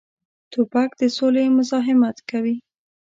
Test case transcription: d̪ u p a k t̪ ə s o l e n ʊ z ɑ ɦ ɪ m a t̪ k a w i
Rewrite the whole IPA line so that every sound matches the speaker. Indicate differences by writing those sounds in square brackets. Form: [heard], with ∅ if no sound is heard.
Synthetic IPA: [t̪] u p a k [d̪] ə s o l e [m] ʊ z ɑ ɦ ɪ m a t̪ k a w i